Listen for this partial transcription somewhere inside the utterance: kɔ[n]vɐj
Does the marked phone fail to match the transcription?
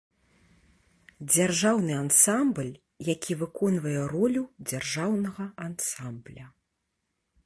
no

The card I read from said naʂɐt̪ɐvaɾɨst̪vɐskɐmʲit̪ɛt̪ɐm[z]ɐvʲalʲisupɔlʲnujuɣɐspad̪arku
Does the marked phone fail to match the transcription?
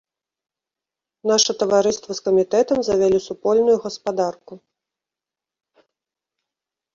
no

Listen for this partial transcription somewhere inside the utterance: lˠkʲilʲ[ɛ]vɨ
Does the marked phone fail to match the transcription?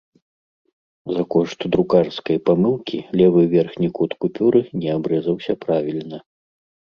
no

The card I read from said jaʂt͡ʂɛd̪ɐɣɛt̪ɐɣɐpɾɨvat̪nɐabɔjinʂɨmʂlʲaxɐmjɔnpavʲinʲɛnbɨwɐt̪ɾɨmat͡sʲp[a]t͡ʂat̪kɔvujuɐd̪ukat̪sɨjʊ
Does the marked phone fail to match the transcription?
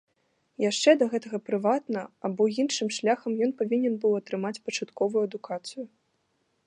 yes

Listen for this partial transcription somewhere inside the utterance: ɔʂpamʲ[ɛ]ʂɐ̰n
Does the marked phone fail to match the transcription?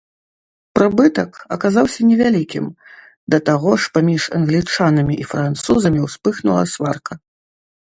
yes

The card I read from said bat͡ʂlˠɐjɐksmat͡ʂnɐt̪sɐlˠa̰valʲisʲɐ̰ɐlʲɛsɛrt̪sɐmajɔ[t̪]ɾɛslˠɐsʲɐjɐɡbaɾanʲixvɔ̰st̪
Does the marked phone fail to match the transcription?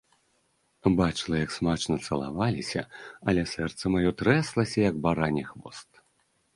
no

